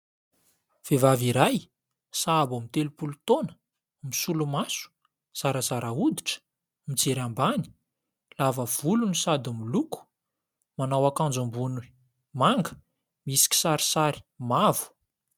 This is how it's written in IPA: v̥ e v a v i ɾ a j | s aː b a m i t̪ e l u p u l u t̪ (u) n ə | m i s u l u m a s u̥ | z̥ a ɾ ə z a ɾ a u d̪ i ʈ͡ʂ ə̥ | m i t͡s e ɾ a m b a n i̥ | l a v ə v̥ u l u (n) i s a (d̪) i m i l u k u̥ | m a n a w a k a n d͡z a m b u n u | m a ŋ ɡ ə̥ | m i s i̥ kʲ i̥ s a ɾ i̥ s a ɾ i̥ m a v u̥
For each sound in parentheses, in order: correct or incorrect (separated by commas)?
incorrect, correct, correct